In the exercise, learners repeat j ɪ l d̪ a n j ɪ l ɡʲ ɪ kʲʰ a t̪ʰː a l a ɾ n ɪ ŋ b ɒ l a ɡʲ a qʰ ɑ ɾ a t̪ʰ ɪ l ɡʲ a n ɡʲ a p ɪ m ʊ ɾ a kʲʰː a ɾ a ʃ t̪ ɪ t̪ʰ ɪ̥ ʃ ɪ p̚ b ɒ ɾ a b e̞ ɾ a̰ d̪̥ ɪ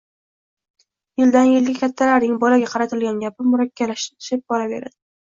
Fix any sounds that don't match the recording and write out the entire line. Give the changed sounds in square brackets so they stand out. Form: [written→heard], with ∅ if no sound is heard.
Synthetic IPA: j ɪ l d̪ a n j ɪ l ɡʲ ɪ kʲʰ a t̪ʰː a l a ɾ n ɪ ŋ b ɒ l a ɡʲ a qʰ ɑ ɾ a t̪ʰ ɪ l ɡʲ a n ɡʲ a p ɪ m ʊ ɾ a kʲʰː a [ɾ→l] a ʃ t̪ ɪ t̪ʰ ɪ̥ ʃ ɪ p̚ b ɒ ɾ a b e̞ ɾ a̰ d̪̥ ɪ